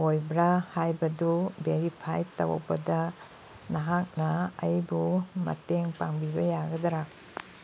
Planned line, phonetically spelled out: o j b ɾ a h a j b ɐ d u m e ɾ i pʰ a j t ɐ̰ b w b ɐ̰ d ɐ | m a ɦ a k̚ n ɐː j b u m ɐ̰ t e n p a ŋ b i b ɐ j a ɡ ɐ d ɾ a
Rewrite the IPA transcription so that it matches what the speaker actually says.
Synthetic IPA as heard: o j b ɾ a h a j b ɐ d u b e ɾ i pʰ a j t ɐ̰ w b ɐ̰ d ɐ | n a ɦ a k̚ n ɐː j b u m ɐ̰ t e ŋ p a ŋ b i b ɐ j a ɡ ɐ d ɾ a